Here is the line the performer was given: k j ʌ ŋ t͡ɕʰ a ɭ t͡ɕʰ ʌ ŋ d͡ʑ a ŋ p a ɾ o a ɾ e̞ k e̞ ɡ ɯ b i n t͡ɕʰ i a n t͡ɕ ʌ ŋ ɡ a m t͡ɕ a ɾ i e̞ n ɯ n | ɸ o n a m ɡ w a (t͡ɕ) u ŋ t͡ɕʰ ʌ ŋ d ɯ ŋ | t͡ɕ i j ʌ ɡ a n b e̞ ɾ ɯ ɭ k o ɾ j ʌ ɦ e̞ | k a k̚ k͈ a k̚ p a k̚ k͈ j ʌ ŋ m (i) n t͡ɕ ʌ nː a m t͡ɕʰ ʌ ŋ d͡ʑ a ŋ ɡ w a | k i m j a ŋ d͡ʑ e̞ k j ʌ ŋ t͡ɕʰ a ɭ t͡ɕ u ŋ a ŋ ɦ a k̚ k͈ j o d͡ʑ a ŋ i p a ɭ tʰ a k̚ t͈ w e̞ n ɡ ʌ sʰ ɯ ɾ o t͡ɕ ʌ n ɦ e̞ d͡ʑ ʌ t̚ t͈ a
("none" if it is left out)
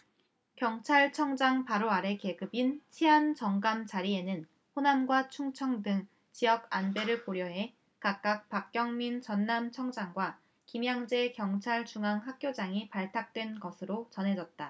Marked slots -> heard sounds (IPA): t͡ɕʰ, i

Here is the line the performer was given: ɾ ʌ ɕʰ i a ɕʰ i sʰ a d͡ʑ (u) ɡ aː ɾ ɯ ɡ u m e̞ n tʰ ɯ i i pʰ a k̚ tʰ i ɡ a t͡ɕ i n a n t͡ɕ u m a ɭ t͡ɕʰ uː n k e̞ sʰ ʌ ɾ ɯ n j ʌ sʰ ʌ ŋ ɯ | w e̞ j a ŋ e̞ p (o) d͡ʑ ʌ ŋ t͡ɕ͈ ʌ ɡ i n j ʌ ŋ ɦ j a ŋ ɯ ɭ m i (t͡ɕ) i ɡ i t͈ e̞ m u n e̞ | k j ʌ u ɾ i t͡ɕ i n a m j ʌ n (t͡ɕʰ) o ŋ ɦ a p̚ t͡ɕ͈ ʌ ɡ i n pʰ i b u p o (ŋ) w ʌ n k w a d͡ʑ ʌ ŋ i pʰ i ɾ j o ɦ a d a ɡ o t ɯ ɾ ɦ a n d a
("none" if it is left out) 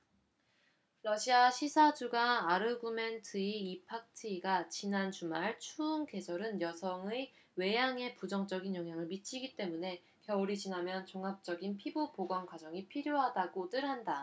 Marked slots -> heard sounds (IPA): u, u, t͡ɕʰ, t͡ɕ, ɡ

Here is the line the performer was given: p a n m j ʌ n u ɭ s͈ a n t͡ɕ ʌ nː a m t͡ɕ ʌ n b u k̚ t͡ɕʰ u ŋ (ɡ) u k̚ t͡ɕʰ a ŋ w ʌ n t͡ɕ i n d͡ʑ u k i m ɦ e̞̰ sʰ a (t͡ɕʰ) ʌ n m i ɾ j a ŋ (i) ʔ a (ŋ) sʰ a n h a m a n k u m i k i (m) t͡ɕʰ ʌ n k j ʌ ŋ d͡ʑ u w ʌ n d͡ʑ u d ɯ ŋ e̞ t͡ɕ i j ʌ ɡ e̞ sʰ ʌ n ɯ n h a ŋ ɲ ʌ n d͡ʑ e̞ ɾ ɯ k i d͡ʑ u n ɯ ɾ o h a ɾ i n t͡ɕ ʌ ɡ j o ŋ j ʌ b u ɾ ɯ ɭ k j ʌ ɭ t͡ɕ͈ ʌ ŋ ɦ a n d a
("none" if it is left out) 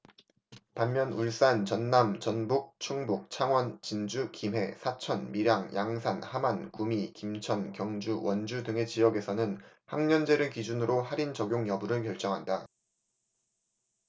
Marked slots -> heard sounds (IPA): b, t͡ɕʰ, j, ŋ, m

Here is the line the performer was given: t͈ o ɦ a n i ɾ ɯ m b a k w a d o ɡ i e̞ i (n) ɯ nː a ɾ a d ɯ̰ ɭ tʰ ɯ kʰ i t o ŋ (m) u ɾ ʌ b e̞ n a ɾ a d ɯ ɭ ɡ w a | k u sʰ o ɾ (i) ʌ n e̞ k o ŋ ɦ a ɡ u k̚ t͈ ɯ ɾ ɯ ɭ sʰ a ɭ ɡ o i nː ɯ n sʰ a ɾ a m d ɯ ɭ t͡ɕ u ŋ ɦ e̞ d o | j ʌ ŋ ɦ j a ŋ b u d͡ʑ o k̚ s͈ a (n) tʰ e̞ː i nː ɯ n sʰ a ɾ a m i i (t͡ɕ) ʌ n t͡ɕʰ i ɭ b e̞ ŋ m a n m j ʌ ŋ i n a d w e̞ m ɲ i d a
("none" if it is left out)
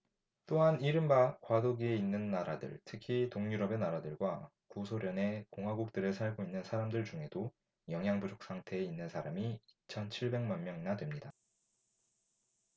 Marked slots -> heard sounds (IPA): nː, ɲ, j, ŋ, t͡ɕʰ

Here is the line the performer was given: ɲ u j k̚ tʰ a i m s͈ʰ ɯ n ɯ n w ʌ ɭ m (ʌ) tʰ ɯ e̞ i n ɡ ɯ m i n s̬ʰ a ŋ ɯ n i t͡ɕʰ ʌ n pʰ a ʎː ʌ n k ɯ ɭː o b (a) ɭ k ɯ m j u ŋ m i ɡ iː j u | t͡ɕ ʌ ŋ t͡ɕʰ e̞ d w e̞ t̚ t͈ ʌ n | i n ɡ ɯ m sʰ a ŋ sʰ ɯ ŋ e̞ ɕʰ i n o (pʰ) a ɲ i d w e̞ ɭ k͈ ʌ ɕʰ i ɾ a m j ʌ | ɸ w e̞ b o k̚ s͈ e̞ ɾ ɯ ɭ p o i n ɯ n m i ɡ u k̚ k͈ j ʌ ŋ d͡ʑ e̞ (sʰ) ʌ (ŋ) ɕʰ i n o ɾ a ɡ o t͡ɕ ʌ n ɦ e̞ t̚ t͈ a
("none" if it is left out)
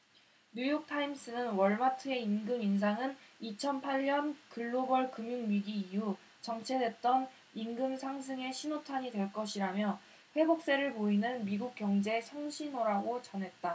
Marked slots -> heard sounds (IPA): a, ʌ, tʰ, sʰ, ŋ

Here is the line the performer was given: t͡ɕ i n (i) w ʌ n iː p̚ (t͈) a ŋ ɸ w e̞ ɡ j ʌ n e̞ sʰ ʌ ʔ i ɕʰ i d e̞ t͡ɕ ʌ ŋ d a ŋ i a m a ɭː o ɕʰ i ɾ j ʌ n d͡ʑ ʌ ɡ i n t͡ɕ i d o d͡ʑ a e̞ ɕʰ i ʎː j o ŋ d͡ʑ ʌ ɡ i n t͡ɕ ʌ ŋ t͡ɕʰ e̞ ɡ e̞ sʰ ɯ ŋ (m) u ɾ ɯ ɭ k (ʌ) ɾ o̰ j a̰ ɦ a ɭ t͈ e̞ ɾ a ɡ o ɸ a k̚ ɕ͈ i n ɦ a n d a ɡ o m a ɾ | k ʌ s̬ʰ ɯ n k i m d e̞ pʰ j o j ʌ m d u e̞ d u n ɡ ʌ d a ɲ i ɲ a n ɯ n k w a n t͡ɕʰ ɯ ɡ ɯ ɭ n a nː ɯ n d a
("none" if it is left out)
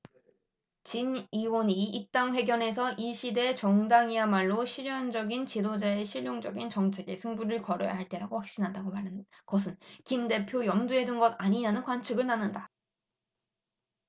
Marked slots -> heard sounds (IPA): i, t͈, b, ʌ

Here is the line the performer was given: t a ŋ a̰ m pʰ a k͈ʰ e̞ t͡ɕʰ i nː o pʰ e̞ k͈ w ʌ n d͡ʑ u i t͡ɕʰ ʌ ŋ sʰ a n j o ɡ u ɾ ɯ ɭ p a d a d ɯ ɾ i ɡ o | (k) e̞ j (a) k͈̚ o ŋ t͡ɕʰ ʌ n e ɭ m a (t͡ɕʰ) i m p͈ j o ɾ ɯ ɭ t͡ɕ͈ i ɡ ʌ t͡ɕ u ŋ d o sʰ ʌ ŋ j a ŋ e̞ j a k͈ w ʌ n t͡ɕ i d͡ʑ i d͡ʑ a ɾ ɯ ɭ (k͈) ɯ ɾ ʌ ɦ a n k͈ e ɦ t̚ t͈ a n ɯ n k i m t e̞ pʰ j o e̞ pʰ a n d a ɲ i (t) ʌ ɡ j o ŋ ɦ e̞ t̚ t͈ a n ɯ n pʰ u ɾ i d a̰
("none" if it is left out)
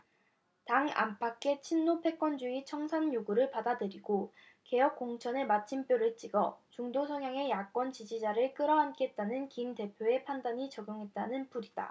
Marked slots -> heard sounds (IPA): k, ʌ, t͡ɕʰ, k͈, t͡ɕ

